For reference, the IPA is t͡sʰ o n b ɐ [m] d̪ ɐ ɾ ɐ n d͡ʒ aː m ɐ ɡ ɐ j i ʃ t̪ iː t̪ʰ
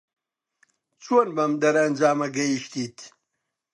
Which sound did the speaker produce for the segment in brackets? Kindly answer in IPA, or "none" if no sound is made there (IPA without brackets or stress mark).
m